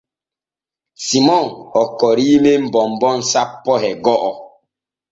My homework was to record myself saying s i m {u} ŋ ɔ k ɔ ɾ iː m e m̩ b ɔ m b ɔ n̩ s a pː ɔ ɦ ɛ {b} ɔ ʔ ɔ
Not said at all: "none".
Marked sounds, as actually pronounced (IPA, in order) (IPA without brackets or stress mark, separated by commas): ɔ, ɡ